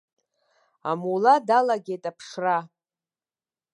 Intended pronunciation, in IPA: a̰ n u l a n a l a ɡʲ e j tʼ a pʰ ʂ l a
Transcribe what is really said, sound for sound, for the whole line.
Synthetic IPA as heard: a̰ m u l a d a l a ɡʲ e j tʼ a pʰ ʂ r a